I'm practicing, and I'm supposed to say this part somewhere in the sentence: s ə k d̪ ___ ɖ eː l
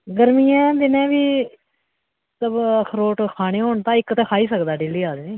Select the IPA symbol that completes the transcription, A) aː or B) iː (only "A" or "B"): A